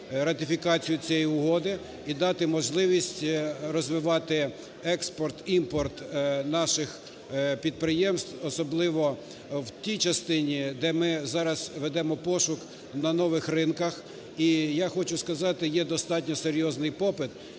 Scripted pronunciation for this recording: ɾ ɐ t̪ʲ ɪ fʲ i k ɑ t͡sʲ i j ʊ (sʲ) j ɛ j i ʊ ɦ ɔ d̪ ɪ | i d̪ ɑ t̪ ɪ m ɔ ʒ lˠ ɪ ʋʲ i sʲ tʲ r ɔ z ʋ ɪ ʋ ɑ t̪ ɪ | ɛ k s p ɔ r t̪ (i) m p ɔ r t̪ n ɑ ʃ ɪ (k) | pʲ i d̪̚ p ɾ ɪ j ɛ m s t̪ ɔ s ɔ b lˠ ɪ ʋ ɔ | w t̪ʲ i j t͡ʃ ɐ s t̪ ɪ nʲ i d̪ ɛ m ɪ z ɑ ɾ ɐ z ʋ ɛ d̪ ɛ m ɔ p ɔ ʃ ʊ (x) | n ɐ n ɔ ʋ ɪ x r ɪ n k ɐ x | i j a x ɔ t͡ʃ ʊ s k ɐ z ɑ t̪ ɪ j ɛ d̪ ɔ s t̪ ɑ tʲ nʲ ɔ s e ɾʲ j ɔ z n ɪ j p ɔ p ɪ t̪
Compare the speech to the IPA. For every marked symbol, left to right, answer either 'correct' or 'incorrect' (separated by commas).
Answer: incorrect, correct, incorrect, incorrect